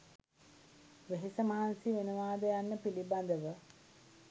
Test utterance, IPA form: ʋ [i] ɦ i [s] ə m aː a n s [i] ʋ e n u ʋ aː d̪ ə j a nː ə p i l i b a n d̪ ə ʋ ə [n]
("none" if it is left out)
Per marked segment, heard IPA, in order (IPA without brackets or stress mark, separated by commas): e, s, i, none